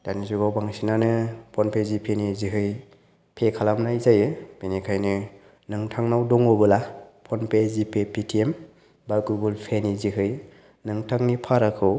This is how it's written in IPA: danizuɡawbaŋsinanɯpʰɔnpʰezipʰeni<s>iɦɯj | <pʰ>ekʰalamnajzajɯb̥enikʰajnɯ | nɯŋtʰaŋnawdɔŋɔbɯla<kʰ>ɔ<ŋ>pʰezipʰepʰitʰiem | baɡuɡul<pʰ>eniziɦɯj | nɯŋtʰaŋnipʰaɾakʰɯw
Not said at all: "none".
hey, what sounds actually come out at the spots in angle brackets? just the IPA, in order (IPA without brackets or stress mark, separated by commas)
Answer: z, pʰ, pʰ, n, pʰ